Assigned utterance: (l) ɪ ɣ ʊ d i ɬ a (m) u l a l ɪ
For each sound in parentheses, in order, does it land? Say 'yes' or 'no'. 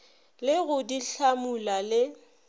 yes, yes

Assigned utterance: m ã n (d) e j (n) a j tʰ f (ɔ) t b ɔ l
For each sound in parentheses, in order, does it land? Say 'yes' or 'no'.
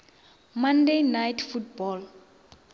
yes, yes, no

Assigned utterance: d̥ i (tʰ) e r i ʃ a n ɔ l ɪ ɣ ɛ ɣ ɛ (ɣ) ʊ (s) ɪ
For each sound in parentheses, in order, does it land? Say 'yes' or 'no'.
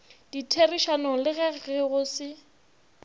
yes, yes, yes

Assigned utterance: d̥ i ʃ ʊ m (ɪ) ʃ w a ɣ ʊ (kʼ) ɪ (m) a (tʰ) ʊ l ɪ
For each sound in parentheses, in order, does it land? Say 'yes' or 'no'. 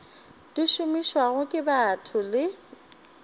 no, yes, no, yes

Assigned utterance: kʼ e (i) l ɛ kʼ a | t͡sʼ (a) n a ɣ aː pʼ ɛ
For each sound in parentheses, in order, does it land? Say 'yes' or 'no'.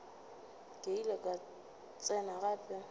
yes, no

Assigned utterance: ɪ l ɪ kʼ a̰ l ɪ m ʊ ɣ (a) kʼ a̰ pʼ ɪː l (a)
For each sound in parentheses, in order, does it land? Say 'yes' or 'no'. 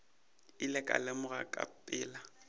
yes, yes

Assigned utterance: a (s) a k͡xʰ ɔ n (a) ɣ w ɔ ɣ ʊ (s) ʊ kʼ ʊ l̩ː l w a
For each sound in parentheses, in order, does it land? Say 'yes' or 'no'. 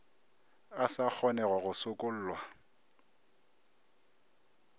yes, no, yes

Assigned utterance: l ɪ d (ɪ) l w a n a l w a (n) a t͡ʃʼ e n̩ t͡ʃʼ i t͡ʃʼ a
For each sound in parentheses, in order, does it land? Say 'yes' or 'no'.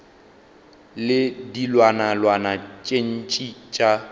no, yes

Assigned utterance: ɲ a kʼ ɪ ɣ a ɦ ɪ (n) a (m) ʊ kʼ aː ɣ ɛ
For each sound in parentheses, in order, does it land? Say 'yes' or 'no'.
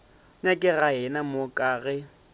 yes, yes

